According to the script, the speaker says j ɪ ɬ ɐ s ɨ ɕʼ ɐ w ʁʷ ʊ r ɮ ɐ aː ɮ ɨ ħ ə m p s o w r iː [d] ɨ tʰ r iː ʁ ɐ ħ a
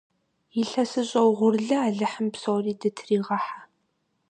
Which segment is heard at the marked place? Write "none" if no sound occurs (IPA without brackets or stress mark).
d